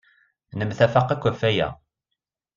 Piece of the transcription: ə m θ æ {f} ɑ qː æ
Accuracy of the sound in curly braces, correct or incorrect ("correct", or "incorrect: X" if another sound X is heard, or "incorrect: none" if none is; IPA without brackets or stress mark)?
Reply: correct